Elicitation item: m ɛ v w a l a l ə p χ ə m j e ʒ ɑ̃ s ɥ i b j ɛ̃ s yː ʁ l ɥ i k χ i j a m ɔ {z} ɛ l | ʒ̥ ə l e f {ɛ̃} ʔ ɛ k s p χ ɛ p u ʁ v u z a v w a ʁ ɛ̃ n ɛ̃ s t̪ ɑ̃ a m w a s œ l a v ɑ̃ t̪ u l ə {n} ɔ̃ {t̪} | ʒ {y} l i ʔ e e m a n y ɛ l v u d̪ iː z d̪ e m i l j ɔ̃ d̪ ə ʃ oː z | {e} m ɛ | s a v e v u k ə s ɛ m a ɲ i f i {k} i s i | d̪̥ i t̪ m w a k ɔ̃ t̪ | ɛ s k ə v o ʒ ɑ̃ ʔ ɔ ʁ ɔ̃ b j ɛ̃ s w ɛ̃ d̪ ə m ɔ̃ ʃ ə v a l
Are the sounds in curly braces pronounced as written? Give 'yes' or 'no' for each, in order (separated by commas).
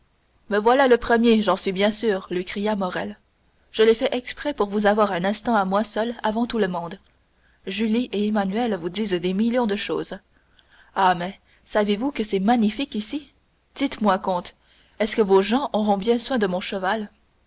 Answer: no, no, no, no, yes, no, yes